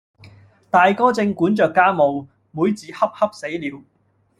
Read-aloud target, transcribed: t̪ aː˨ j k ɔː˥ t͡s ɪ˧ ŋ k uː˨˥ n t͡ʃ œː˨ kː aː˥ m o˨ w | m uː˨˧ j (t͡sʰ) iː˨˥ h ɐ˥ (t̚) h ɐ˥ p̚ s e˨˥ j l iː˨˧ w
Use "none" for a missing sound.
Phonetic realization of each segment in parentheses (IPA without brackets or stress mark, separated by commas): t͡s, p̚